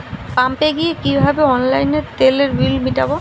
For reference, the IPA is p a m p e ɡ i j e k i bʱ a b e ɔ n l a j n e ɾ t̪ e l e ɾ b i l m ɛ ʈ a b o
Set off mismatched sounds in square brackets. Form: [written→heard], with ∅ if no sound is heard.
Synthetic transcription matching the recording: p a m p e ɡ i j e k i bʱ a b e ɔ n l a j n e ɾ t̪ e l e ɾ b i l m [ɛ→i] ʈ a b o